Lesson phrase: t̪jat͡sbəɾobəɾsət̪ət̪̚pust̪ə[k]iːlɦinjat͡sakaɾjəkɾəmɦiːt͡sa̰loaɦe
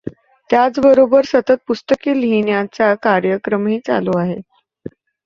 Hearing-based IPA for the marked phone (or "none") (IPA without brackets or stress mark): k